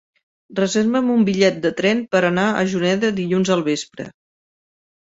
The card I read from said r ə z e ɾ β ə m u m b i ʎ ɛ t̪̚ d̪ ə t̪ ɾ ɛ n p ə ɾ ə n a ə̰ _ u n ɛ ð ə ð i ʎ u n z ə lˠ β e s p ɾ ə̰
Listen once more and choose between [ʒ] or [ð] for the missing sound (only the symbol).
ʒ